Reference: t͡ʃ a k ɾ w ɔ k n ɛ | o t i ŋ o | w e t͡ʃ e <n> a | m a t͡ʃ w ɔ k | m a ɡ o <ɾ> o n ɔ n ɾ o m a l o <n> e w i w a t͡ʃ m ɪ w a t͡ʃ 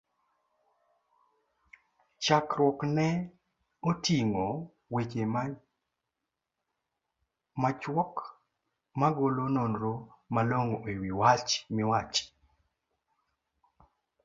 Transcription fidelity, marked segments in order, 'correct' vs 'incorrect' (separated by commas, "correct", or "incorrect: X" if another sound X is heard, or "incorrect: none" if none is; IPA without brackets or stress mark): incorrect: m, incorrect: l, incorrect: ŋ